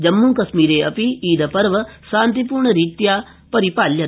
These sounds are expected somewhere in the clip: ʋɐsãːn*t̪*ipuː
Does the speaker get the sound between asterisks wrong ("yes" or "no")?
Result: no